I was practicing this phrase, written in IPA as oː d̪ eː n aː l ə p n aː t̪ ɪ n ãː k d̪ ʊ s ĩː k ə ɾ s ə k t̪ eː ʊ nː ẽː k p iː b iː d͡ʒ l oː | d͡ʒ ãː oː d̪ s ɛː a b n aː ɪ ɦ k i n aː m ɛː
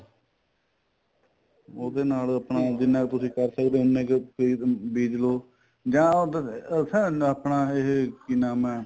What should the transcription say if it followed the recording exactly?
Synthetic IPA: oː d̪ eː n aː l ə p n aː d̪ ɪ n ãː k t̪ ʊ s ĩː k ə ɾ s ə k d̪ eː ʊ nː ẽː k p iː b iː d͡ʒ l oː | d͡ʒ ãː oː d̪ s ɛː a p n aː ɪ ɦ k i n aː m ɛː

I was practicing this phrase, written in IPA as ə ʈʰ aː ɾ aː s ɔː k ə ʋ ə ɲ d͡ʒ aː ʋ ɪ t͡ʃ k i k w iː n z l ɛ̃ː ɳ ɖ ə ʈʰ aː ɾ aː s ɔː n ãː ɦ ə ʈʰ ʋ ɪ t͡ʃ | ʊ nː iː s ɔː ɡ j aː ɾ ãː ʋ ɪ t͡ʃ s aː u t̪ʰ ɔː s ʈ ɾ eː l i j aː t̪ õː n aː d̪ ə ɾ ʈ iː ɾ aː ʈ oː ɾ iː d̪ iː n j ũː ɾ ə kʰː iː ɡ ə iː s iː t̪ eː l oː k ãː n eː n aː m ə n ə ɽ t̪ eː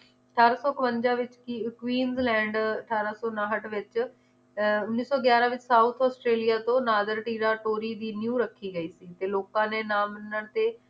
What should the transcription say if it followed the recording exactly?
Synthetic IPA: ə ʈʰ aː ɾ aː s ɔː k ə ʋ ə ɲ d͡ʒ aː ʋ ɪ t͡ʃ k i k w iː n z l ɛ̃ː ɳ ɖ ə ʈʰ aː ɾ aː s ɔː n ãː ɦ ə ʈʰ ʋ ɪ t͡ʃ | ʊ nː iː s ɔː ɡ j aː ɾ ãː ʋ ɪ t͡ʃ s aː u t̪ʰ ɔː s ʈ ɾ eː l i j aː t̪ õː n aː d̪ ə ɾ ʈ iː ɾ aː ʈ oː ɾ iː d̪ iː n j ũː ɾ ə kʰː iː ɡ ə iː s iː t̪ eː l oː k ãː n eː n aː m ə n ə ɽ t̪ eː

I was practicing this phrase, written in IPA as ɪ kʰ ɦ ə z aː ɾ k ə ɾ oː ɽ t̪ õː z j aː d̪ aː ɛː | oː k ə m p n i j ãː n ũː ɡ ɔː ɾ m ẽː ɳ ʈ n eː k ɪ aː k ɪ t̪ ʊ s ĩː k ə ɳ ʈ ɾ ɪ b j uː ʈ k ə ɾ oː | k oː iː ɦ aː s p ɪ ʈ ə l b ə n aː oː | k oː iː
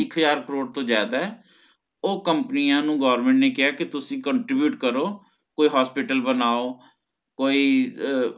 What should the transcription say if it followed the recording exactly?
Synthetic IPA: ɪ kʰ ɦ ə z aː ɾ k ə ɾ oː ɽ t̪ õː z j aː d̪ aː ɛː | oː k ə m p n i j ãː n ũː ɡ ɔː ɾ m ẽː ɳ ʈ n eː k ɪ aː k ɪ t̪ ʊ s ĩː k ə ɳ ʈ ɾ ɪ b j uː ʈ k ə ɾ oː | k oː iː ɦ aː s p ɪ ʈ ə l b ə n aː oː | k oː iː

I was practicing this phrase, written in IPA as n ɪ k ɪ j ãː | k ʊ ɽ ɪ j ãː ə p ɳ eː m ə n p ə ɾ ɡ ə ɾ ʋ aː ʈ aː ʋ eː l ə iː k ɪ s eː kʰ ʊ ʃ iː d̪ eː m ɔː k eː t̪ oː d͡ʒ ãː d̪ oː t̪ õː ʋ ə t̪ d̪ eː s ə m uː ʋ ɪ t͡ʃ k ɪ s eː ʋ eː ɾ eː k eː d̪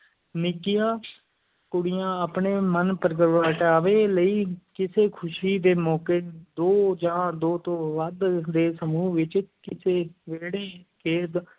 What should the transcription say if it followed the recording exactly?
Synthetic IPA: n ɪ k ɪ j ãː | k ʊ ɽ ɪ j ãː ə p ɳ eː m ə n p ə ɾ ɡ ə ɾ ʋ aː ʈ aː ʋ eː l ə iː k ɪ s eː kʰ ʊ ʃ iː d̪ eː m ɔː k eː d̪ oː d͡ʒ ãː d̪ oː t̪ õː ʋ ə d̪ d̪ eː s ə m uː ʋ ɪ t͡ʃ k ɪ s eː ʋ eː ɽ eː k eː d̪

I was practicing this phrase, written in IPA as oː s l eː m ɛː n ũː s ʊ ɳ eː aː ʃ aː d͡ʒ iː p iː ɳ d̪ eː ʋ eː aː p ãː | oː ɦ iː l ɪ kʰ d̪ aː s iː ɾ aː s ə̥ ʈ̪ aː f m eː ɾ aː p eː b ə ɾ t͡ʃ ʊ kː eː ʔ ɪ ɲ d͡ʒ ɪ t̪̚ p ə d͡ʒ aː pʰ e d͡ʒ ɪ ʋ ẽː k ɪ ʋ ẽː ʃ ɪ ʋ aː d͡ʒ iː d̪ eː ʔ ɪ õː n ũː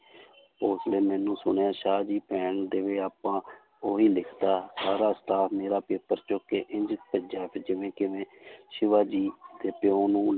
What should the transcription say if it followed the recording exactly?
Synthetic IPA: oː s l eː m ɛː n ũː s ʊ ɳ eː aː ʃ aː d͡ʒ iː p ɛː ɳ d̪ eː ʋ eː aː p ãː | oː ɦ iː l ɪ kʰ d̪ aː s aː ɾ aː s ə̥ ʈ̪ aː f m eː ɾ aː p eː p ə ɾ t͡ʃ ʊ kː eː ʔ ɪ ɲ d͡ʒ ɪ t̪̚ p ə d͡ʒ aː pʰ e d͡ʒ ɪ ʋ ẽː k ɪ ʋ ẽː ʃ ɪ ʋ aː d͡ʒ iː d̪ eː p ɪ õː n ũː

